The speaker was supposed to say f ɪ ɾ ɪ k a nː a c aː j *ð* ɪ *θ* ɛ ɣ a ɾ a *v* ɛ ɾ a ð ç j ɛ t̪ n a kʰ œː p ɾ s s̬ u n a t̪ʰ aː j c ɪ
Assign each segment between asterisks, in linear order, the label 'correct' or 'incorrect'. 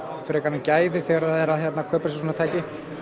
correct, correct, incorrect: ð

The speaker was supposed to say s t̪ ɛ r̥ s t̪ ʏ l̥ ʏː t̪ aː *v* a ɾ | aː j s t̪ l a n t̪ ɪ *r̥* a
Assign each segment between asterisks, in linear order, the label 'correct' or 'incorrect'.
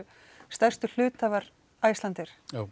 correct, incorrect: ɾ̥

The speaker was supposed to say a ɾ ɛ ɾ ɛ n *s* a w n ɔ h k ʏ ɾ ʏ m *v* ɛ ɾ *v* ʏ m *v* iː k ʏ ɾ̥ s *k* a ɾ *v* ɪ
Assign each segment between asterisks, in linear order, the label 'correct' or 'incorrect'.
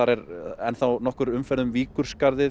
incorrect: θ, incorrect: f, incorrect: ð, correct, correct, incorrect: ð

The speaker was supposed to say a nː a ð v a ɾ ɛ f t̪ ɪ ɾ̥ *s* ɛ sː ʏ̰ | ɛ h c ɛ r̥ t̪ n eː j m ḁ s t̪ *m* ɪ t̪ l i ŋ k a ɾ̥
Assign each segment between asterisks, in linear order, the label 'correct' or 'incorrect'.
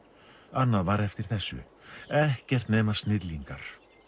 incorrect: θ, incorrect: n

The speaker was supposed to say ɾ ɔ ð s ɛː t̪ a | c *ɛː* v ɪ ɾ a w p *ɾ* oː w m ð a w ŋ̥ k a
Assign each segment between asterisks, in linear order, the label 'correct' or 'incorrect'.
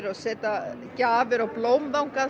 incorrect: aː, incorrect: l

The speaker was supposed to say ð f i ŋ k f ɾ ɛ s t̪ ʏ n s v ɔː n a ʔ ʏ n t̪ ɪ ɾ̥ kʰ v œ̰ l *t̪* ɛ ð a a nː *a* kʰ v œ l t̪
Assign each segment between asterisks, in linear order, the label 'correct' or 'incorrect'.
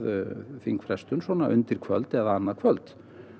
correct, correct

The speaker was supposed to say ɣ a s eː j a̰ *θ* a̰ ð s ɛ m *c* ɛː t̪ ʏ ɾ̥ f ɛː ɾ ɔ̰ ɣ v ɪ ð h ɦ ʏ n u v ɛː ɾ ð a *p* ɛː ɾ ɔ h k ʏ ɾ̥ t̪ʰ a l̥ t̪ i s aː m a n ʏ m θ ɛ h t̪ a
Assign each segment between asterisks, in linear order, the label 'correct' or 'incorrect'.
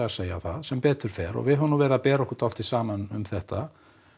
correct, incorrect: p, correct

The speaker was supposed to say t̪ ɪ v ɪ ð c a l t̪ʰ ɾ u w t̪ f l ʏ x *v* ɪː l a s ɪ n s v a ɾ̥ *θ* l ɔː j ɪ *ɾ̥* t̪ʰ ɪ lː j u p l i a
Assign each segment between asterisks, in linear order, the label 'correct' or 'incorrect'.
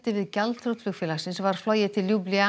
incorrect: f, incorrect: f, incorrect: none

